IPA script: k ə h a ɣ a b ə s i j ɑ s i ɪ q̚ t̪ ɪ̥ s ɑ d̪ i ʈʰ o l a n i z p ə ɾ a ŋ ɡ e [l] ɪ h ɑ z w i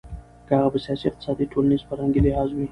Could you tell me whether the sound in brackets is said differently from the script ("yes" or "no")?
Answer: no